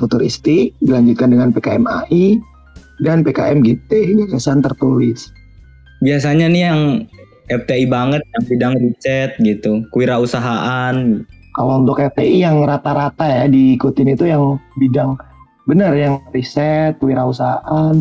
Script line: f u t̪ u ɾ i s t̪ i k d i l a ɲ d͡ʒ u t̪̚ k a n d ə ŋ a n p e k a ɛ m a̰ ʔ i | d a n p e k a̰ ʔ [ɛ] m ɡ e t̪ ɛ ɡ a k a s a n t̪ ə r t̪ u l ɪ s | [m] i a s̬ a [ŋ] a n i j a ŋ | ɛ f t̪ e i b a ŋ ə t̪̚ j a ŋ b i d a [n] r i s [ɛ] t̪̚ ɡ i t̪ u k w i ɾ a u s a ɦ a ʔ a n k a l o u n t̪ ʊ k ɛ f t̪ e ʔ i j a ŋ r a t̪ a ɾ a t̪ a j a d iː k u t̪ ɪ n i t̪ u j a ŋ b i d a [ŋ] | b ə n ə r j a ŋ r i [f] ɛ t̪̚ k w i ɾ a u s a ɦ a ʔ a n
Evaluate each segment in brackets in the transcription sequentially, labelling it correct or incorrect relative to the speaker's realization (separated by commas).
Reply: correct, incorrect, incorrect, incorrect, correct, correct, incorrect